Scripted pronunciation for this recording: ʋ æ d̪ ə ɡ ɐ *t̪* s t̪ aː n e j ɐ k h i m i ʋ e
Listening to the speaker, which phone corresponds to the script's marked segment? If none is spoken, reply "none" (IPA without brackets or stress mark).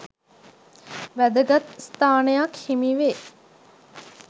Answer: t̪